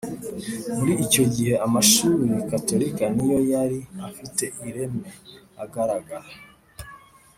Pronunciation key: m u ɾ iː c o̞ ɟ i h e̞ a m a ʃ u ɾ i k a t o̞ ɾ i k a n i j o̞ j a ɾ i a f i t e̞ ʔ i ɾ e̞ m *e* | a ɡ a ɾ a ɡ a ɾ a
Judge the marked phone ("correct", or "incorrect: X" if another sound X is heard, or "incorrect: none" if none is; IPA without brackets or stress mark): correct